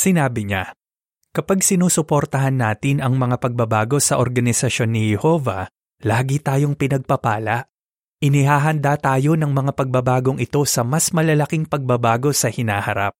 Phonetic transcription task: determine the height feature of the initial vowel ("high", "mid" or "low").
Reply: high